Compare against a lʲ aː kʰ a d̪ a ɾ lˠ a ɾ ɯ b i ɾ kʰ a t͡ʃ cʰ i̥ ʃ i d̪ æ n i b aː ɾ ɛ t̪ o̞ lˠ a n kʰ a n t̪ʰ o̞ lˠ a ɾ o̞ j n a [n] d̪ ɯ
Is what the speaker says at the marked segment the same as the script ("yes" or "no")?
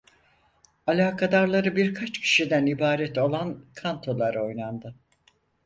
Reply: yes